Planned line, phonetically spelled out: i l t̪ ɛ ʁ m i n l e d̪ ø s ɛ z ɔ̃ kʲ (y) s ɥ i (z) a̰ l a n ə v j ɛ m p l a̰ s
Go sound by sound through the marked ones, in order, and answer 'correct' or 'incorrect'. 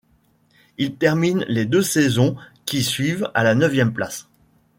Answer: incorrect, incorrect

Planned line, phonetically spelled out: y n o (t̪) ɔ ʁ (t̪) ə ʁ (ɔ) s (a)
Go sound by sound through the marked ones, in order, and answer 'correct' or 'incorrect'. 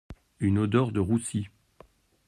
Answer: incorrect, incorrect, incorrect, incorrect

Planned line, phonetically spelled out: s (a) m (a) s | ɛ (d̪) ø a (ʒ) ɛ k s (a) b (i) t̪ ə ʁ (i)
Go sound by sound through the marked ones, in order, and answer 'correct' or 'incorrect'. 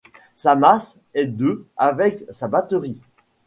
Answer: correct, correct, correct, incorrect, correct, incorrect, correct

